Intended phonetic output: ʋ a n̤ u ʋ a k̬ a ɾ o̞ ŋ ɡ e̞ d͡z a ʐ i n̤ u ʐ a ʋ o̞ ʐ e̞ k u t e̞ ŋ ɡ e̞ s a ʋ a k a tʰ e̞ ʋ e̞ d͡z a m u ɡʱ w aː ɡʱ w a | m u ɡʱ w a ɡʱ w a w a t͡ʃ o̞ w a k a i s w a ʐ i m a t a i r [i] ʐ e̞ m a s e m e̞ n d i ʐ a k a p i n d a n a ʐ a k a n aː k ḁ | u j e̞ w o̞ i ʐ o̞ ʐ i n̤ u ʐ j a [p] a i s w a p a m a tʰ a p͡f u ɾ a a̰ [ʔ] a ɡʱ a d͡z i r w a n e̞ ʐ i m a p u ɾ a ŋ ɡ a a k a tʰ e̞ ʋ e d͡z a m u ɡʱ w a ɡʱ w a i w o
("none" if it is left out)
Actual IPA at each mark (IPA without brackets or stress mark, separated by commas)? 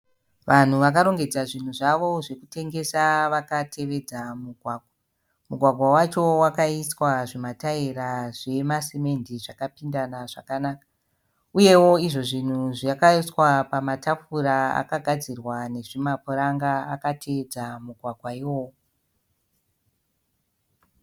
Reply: a, k, k